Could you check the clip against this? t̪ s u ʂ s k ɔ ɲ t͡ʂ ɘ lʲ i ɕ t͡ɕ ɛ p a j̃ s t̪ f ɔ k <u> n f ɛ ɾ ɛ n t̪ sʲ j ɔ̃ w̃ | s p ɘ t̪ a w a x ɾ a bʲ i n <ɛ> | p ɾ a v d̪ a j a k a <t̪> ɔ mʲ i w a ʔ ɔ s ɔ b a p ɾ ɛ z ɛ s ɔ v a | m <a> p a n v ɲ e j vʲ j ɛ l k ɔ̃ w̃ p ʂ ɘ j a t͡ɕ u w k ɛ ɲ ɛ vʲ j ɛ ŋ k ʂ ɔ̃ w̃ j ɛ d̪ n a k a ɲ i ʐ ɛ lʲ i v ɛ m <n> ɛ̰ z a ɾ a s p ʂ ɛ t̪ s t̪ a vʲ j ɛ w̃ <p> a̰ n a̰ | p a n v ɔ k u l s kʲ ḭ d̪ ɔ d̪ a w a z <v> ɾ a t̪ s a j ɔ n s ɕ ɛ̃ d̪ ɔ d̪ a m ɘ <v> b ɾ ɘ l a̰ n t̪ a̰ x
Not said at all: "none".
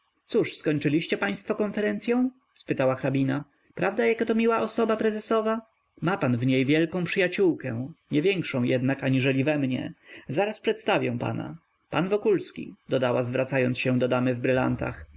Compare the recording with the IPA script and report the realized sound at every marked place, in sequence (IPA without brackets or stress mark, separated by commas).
ɔ, a, t̪, a, ɲ, p, v, v